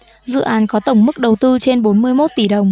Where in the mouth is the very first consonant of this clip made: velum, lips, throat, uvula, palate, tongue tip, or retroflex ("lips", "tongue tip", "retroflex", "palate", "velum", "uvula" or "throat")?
tongue tip